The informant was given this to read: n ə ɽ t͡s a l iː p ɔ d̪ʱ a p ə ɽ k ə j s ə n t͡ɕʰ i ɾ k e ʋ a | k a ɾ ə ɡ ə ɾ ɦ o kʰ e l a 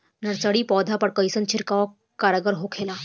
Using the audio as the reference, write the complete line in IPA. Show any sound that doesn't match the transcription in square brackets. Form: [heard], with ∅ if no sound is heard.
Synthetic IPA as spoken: n ə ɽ t͡s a [ɽ] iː p ɔ d̪ʱ a p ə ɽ k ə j s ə n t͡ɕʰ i ɾ k [a] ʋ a | k a ɾ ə ɡ ə ɾ ɦ o kʰ e l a